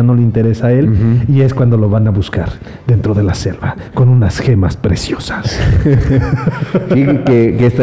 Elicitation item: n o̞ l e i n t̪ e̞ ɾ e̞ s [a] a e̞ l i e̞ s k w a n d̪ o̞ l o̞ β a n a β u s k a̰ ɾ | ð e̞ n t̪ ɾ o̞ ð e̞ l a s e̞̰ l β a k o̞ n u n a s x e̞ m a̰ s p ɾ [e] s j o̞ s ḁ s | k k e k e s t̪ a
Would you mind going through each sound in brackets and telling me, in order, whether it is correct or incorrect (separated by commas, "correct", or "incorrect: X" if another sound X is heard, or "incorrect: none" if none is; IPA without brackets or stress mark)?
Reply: correct, correct